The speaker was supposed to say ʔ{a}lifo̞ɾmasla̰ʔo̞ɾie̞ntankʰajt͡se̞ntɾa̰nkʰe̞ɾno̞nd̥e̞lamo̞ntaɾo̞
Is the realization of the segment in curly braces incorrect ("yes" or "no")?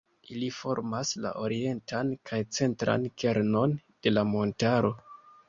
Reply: yes